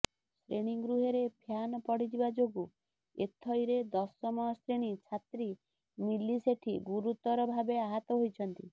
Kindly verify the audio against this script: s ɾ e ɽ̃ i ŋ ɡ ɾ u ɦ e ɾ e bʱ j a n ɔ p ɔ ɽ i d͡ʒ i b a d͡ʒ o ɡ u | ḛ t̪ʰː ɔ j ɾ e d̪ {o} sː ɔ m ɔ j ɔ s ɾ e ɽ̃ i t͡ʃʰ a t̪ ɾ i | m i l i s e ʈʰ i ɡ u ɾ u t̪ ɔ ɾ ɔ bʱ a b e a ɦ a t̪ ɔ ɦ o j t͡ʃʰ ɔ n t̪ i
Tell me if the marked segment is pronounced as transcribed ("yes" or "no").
no